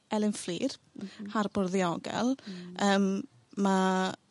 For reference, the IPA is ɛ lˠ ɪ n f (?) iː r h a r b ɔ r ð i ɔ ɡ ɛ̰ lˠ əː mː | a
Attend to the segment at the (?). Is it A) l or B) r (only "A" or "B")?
A